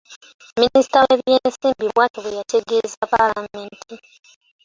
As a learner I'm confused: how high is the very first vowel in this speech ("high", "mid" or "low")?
high